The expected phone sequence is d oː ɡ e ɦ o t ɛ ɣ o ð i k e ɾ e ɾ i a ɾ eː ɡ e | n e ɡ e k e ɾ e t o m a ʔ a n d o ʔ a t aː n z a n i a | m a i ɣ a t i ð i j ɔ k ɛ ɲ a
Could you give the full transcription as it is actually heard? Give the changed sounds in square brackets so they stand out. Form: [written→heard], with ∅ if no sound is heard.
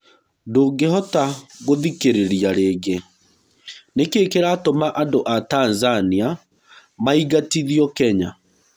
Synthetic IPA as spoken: d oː ɡ e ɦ [o→ɔ] t [ɛ→a] ɣ o ð i k e ɾ e ɾ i a ɾ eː ɡ e | n e [ɡ→k] e k e ɾ [e→a] t o m a ʔ a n d o ʔ a t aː n z a n i a | m a i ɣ a t i ð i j ɔ k ɛ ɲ a

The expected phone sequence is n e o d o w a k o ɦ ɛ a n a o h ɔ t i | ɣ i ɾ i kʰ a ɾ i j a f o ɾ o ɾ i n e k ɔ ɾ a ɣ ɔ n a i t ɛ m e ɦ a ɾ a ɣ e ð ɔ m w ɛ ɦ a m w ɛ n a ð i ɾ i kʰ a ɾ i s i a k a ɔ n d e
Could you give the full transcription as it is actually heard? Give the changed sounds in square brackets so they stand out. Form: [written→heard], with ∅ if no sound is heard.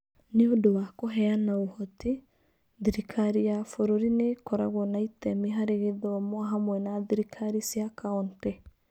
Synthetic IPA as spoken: n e o d o w a k o ɦ ɛ a n a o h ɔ t i | [ɣ→ð] i ɾ i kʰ a ɾ i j a f o ɾ o ɾ i n e k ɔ ɾ a ɣ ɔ n a i t ɛ m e ɦ a ɾ [a→e] ɣ e ð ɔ m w [ɛ→a] ɦ a m w ɛ n a ð i ɾ i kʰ a ɾ i s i a k a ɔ n [d→t] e

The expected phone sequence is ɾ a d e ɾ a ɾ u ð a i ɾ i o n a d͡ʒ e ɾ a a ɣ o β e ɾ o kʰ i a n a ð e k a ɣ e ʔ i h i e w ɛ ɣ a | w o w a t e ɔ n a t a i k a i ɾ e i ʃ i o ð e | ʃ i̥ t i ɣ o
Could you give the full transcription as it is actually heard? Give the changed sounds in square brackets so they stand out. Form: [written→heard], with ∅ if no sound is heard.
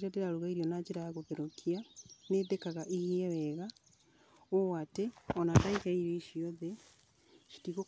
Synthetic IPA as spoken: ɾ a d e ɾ a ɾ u [ð→ɣ] a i ɾ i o n a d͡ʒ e ɾ a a ɣ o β e ɾ o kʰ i a n [a→e] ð e k a ɣ [e→a] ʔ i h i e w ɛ ɣ a | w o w a t e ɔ n a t a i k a i ɾ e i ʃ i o ð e | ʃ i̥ t i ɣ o

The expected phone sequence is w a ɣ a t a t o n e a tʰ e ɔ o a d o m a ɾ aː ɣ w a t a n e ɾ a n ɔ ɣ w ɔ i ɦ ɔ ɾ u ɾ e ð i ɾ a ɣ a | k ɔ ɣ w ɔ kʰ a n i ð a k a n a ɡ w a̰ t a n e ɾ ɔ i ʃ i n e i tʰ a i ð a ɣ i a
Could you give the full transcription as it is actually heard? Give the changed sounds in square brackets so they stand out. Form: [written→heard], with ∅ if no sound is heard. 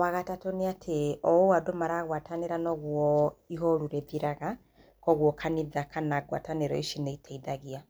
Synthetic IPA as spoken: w a ɣ a t a t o n e a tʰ e ɔ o a d o m a ɾ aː ɣ w a t a n e ɾ a n ɔ ɣ w ɔ i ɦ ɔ ɾ u ɾ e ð i ɾ a ɣ a | k ɔ ɣ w ɔ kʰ a n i ð a k a n a ɡ w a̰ t a n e ɾ ɔ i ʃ i n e i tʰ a i ð a ɣ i a

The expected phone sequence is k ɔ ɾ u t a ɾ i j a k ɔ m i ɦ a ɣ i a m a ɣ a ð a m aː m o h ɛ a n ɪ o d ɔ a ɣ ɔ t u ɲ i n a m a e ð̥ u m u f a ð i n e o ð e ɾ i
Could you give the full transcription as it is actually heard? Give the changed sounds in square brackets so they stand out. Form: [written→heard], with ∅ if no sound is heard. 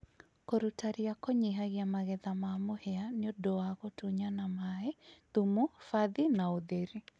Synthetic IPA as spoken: k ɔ ɾ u t a ɾ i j a k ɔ [m→ɲ] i ɦ a ɣ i a m a ɣ [a→ɛ] ð a m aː m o h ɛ a n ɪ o d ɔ a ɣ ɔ t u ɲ [i→a] n a m a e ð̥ u m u f a ð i n [e→a] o ð e ɾ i

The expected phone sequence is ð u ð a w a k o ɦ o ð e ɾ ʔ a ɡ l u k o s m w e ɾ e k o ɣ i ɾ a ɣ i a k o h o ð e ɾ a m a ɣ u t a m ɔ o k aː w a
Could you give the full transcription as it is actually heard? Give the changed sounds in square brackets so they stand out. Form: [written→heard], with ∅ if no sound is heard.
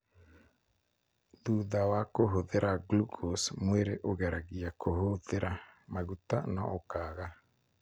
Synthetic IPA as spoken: ð u ð a w a k o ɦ o ð e ɾ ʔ a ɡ l u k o s m w e ɾ e [k→ʔ] o ɣ [i→ɛ] ɾ a ɣ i a k o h o ð e ɾ a m a ɣ u t a [m→n] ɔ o k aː [w→ɣ] a

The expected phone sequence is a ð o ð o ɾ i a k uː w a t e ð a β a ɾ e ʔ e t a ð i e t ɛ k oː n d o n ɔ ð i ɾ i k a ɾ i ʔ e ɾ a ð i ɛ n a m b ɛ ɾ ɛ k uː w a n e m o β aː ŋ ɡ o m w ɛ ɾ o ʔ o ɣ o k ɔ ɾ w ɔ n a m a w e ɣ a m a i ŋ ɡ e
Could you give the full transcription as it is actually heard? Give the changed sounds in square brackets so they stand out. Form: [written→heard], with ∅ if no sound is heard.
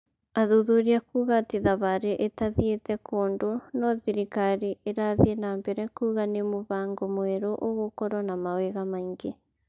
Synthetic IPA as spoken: a ð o ð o ɾ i a k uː [w→ɣ] a t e ð a β a ɾ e ʔ e t a ð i e t ɛ k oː n d o n ɔ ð i ɾ i k a ɾ i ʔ e ɾ a ð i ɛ n a m b ɛ ɾ ɛ k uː [w→ɣ] a n e m o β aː ŋ ɡ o m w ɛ ɾ o ʔ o ɣ o k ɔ ɾ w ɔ n a m a w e ɣ a m a i ŋ ɡ e

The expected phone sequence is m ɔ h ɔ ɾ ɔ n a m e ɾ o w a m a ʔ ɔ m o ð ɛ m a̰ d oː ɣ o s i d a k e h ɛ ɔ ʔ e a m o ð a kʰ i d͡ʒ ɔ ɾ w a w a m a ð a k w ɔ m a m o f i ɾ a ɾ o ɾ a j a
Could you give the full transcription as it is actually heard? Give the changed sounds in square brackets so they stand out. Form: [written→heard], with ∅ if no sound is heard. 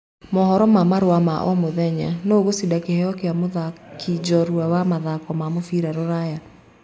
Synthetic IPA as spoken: m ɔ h ɔ ɾ ɔ [n→m] a m [e→a] ɾ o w a m a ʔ ɔ m o ð ɛ [m→ɲ] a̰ [d→n] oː ɣ o s i d a k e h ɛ ɔ [ʔ→k] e a m o ð a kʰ i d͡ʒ ɔ ɾ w a w a m a ð a k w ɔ m a m o f i ɾ a ɾ o ɾ a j a

